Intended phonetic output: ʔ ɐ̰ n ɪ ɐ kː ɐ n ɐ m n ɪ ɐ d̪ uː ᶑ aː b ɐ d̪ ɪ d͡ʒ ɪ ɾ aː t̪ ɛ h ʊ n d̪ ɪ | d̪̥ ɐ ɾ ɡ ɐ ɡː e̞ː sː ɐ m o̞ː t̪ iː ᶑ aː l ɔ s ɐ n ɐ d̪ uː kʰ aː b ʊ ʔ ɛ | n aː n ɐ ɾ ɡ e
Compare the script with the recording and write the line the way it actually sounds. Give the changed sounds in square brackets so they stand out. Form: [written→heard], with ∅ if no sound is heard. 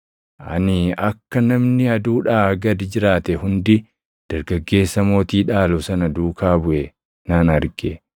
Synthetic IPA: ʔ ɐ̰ n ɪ ɐ kː ɐ n ɐ m n ɪ ɐ d̪ uː ᶑ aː [b→ɡ] ɐ d̪ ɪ d͡ʒ ɪ ɾ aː t̪ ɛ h ʊ n d̪ ɪ | d̪̥ ɐ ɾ ɡ ɐ ɡː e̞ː sː ɐ m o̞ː t̪ iː ᶑ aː l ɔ s ɐ n ɐ d̪ uː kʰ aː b ʊ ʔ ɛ | n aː n ɐ ɾ ɡ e